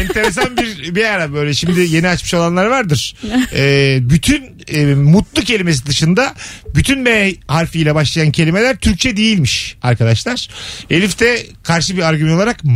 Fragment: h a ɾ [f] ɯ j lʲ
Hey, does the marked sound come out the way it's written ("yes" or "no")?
yes